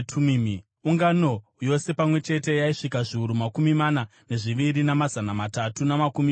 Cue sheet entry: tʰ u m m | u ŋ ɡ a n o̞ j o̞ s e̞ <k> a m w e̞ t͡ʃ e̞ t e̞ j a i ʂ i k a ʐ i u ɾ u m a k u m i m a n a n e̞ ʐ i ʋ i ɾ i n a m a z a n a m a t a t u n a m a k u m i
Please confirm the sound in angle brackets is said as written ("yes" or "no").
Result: no